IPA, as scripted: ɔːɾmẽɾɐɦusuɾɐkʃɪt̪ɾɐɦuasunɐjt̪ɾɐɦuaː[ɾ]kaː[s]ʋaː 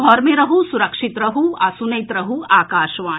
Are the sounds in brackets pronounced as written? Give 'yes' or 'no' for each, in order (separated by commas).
no, no